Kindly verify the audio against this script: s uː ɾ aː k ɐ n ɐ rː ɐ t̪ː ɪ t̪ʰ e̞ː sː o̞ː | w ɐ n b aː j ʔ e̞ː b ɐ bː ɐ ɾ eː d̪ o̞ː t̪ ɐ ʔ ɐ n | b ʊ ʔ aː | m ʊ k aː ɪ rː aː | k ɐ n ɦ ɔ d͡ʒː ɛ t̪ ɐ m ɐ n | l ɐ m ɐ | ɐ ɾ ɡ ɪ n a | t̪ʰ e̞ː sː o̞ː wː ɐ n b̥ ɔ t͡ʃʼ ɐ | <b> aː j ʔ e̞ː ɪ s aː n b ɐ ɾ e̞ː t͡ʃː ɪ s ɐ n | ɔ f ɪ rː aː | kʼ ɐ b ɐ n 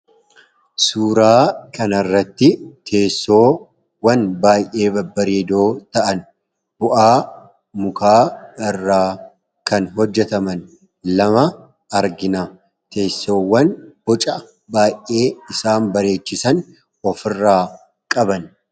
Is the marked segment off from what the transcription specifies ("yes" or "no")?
no